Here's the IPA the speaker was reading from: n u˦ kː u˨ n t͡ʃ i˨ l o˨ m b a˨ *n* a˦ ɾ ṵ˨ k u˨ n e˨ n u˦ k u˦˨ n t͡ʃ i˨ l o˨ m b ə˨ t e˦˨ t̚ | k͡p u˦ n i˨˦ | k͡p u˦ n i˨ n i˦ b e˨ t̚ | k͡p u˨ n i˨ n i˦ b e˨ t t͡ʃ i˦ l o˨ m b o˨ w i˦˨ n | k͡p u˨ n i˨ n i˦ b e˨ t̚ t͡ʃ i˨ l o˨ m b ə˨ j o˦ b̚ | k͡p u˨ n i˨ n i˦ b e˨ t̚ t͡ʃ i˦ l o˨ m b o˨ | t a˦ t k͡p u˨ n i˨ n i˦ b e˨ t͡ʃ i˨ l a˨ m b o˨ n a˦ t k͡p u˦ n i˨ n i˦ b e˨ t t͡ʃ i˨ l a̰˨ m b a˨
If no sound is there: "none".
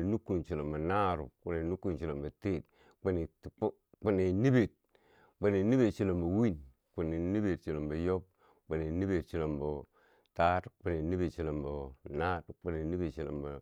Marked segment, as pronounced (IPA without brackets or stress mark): n